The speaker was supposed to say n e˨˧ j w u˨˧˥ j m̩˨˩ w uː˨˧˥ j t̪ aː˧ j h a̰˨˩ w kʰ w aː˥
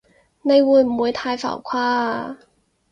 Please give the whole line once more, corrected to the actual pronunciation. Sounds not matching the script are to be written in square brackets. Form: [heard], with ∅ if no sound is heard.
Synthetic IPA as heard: n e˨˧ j w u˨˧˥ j m̩˨˩ w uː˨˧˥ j [t̪ʰ] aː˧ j [f] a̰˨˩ w kʰ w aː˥